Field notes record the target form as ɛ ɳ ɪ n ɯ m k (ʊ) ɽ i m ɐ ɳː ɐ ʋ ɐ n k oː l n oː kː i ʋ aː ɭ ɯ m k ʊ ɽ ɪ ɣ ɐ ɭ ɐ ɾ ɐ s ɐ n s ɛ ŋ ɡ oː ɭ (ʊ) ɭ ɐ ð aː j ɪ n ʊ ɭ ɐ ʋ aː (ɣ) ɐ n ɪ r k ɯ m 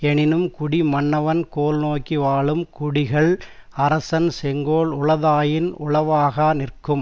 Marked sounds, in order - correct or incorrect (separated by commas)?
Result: correct, correct, correct